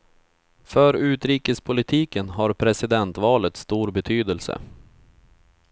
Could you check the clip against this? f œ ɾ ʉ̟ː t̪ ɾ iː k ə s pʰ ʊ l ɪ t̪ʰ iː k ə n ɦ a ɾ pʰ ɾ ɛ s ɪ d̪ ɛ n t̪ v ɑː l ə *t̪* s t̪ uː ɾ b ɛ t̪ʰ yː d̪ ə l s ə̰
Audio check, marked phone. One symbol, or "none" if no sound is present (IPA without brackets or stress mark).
t̪